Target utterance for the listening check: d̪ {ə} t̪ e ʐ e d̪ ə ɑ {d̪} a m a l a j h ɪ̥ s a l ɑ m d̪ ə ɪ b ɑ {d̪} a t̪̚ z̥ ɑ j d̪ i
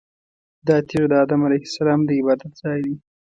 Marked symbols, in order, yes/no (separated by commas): no, yes, yes